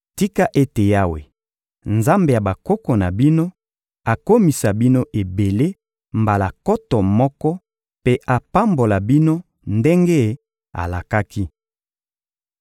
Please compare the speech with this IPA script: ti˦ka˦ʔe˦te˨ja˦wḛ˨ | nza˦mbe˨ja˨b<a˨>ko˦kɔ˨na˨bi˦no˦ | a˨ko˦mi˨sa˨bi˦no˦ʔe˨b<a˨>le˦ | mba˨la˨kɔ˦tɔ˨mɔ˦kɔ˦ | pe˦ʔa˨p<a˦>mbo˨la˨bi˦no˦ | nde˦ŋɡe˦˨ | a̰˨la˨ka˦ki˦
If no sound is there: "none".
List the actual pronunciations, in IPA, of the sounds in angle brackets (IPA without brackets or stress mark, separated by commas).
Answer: a˨, e˨, a˦